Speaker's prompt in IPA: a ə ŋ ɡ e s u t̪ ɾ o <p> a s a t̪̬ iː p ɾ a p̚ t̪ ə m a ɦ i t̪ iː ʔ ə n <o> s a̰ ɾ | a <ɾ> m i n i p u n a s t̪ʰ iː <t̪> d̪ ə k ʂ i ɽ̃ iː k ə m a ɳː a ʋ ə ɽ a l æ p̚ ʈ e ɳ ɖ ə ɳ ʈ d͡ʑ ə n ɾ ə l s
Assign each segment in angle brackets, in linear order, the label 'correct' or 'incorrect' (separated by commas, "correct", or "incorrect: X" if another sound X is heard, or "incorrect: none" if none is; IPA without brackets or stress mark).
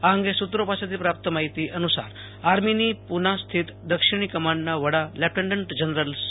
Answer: correct, incorrect: u, correct, correct